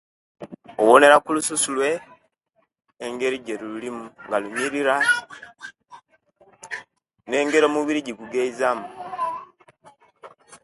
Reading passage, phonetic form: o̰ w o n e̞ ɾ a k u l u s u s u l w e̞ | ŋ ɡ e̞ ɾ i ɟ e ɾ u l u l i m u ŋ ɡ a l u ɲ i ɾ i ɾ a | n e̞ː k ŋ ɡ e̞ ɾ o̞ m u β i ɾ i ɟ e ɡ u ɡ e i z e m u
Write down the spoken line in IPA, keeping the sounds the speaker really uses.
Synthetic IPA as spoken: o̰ w o n e̞ ɾ a k u l u s u s u l w e̞ | ŋ ɡ e̞ ɾ i ɟ e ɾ u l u l i m u ŋ ɡ a l u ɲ i ɾ i ɾ a | n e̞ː ŋ ɡ e̞ ɾ o̞ m u β i ɾ i ɟ i ɡ u ɡ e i z a m u